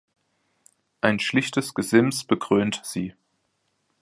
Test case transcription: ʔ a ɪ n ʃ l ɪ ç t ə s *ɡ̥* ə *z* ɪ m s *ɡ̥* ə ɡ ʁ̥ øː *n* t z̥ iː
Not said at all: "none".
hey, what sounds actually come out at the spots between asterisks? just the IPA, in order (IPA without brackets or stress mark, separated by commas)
ɡ̥, z, b̥, n